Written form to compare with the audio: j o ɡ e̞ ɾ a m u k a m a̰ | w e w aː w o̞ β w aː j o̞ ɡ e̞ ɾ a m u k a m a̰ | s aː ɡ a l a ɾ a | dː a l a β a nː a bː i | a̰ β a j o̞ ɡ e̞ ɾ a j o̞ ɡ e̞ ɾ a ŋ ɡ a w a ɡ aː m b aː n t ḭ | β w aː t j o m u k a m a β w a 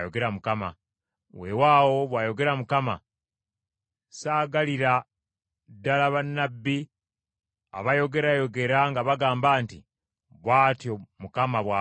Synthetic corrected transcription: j o ɡ e̞ ɾ a m u k a m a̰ | w e w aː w o̞ β w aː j o̞ ɡ e̞ ɾ a m u k a m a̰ | s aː ɡ a l i ɾ a | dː a l a β a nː a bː i | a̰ β a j o̞ ɡ e̞ ɾ a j o̞ ɡ e̞ ɾ a ŋ ɡ a β a ɡ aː m b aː n t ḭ | β w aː t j o m u k a m a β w a